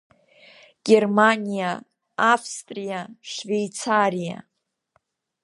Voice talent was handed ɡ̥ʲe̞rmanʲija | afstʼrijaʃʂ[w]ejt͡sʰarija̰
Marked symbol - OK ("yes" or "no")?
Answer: no